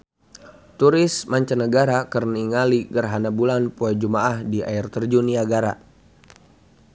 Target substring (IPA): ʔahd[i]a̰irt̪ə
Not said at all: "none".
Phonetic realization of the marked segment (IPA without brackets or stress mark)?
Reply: i